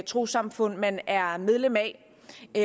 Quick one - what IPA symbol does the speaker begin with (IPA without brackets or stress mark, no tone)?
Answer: t͡sʰ